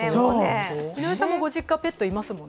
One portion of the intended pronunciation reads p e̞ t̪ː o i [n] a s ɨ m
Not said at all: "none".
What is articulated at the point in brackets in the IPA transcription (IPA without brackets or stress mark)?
m